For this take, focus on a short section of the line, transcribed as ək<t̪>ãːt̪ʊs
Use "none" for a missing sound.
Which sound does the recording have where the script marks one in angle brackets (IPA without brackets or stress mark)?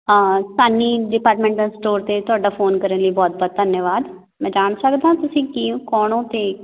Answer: d̪